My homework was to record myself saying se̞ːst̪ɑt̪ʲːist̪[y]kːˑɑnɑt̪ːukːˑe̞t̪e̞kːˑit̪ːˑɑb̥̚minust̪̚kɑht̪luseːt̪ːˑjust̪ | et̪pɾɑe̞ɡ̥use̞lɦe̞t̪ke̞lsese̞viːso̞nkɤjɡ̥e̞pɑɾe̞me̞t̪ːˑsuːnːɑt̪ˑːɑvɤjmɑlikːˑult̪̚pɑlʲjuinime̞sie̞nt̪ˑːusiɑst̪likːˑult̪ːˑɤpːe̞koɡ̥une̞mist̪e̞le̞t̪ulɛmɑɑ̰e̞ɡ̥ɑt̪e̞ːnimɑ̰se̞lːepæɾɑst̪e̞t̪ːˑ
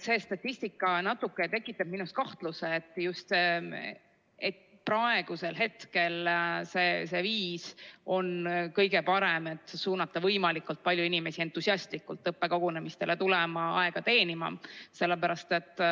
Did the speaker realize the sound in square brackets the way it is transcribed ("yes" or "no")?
no